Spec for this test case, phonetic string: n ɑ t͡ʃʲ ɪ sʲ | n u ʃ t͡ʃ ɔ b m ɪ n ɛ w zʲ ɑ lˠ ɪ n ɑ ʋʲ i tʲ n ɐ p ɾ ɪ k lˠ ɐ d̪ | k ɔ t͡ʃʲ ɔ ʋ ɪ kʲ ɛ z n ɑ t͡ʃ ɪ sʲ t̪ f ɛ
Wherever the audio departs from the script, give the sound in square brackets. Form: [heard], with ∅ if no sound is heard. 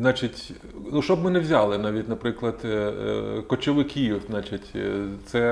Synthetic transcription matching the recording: n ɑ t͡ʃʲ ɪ [tʲ] | n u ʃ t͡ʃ ɔ b m ɪ n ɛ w zʲ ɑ lˠ ɪ n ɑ ʋʲ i tʲ n ɐ p ɾ ɪ k lˠ ɐ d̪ | k ɔ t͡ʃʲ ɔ ʋ ɪ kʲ [i] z n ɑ t͡ʃ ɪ [tʲ] t̪ [s] ɛ